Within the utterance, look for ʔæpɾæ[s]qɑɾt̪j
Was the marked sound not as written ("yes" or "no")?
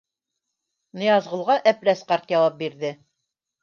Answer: no